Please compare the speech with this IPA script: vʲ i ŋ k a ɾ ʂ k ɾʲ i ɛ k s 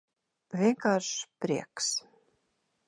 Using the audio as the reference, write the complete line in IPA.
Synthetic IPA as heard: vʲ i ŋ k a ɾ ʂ p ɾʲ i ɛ k s